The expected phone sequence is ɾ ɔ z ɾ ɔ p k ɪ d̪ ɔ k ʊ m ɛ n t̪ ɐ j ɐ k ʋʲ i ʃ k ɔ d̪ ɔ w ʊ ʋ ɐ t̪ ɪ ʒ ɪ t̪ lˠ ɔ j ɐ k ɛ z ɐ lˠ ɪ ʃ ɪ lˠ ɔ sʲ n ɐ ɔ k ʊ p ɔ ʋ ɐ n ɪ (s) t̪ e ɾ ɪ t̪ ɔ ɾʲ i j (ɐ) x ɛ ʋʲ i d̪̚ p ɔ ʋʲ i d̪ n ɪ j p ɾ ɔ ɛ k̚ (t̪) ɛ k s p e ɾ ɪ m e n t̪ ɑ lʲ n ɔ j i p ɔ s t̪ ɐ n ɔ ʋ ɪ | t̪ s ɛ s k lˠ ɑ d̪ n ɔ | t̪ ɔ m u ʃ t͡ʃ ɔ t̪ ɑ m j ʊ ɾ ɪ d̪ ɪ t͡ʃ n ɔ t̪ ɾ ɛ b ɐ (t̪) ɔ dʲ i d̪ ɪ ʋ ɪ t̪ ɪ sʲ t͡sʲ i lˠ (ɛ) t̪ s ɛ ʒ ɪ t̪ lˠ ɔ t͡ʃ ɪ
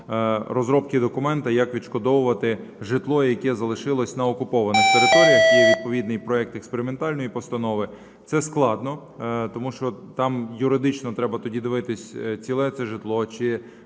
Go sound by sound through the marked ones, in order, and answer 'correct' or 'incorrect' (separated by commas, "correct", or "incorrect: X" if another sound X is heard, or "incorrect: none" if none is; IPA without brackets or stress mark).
incorrect: x, correct, correct, correct, correct